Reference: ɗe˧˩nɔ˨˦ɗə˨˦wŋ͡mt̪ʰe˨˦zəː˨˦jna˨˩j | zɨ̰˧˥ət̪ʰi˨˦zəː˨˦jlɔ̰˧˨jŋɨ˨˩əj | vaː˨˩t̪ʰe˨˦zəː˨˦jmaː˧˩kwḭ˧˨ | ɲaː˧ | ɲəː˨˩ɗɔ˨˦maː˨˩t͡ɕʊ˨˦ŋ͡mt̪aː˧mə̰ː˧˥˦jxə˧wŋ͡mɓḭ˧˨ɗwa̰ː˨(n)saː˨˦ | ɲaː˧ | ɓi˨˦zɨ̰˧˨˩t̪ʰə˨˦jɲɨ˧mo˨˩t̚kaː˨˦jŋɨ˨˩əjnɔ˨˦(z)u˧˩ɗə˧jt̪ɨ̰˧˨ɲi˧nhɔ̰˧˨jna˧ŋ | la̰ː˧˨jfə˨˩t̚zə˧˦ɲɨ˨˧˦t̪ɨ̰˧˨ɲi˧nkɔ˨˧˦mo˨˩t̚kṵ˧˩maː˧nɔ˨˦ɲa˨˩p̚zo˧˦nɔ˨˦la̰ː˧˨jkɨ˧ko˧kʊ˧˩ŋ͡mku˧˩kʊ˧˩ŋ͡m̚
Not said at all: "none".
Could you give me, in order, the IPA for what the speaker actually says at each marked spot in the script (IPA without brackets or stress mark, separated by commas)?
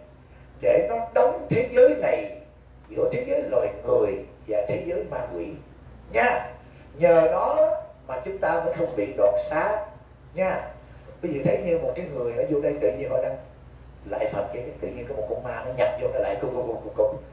n, z